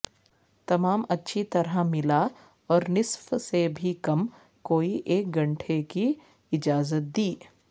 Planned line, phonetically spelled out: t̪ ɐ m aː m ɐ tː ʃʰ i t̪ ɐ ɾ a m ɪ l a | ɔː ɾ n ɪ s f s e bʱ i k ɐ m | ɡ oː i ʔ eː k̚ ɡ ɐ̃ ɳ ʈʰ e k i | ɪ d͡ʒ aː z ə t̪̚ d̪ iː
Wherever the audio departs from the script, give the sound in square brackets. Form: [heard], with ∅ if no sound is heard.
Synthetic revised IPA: t̪ ɐ m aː m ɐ tː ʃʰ i t̪ ɐ ɾ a m ɪ l a | ɔː ɾ n ɪ s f s e bʱ i k ɐ m | [k] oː i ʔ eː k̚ ɡ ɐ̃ ɳ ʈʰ e k i | ɪ d͡ʒ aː z ə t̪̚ d̪ iː